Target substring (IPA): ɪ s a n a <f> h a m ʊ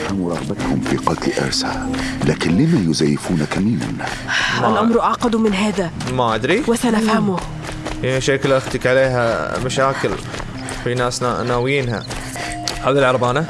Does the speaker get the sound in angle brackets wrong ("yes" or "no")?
no